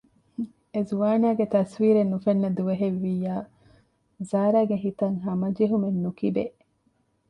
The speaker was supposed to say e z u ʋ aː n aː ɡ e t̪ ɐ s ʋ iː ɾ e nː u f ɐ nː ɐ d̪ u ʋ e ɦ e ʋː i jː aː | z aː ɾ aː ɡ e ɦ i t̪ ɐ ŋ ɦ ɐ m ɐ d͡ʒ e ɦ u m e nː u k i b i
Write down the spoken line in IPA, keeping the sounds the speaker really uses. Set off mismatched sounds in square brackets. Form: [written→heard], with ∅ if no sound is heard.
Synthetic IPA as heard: e z u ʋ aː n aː ɡ e t̪ ɐ s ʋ iː ɾ e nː u f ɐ nː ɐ d̪ u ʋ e ɦ e ʋː i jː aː | z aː ɾ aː ɡ e ɦ i t̪ ɐ ŋ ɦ ɐ m ɐ d͡ʒ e ɦ u m e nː u k i b [i→e]

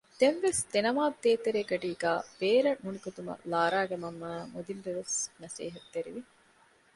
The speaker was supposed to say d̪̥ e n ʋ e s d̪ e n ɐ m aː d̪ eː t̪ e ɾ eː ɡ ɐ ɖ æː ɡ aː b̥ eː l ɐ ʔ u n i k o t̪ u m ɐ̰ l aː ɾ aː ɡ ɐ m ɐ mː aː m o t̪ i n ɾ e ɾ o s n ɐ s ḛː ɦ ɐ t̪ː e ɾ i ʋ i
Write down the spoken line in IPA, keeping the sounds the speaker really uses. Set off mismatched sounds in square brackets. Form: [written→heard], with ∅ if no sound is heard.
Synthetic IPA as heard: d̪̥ e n ʋ e s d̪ e n ɐ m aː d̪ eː t̪ e ɾ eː ɡ ɐ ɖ [æː→iː] ɡ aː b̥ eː [l→ɾ] ɐ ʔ u n i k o t̪ u m ɐ̰ l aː ɾ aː ɡ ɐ m ɐ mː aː m o [t̪→d̪] i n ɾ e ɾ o s n ɐ s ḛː ɦ ɐ t̪ː e ɾ i ʋ i

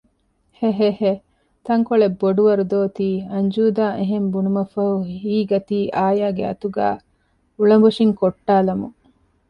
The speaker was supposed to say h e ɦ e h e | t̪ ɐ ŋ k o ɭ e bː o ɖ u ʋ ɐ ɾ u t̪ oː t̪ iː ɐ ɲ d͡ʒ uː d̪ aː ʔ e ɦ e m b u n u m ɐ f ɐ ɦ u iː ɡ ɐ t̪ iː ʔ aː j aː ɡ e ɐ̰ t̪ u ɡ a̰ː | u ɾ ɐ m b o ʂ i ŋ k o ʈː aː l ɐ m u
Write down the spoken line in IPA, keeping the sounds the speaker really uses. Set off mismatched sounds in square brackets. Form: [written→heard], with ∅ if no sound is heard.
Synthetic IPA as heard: h e ɦ e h e | t̪ ɐ ŋ k o ɭ e bː o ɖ u ʋ ɐ ɾ u [t̪→d̪] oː t̪ iː ɐ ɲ d͡ʒ uː d̪ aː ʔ e ɦ e m b u n u m ɐ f ɐ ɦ u iː ɡ ɐ t̪ iː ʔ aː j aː ɡ e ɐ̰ t̪ u ɡ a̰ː | u [ɾ→ɭ] ɐ m b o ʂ i ŋ k o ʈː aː l ɐ m u

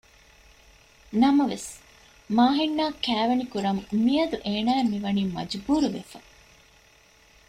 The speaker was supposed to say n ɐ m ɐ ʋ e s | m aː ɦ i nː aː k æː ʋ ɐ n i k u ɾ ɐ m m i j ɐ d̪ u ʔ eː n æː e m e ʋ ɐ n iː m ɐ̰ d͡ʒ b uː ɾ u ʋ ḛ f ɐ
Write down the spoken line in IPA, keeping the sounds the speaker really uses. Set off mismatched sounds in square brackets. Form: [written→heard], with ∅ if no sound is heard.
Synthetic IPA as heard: n ɐ m ɐ ʋ e s | m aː ɦ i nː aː k æː ʋ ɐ n i k u ɾ ɐ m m i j ɐ d̪ u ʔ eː n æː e m [e→i] ʋ ɐ n iː m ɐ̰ d͡ʒ b uː ɾ u ʋ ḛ f ɐ

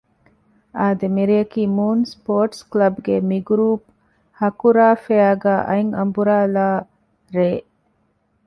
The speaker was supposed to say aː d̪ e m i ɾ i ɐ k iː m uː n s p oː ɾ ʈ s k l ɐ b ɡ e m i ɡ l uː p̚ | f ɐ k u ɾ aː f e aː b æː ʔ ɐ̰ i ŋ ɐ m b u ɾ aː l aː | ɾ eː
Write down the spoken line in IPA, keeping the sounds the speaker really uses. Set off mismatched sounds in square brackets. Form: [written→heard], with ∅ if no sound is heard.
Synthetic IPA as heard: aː d̪ e m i ɾ i ɐ k iː m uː n s p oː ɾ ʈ s k l ɐ b ɡ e m i ɡ [l→ɾ] uː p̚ | [f→h] ɐ k u ɾ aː f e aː [b→ɡ] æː ʔ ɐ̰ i ŋ ɐ m b u ɾ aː l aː | ɾ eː

